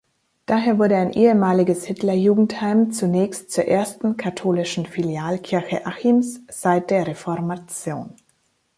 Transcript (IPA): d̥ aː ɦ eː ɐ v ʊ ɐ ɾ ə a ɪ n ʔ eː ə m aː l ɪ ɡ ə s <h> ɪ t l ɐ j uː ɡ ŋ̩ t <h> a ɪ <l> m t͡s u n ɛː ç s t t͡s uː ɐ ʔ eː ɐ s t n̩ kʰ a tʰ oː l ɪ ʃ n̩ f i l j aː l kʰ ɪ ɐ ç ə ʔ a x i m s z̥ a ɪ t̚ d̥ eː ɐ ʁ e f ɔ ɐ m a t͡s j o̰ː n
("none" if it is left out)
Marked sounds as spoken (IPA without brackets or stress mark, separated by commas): h, h, none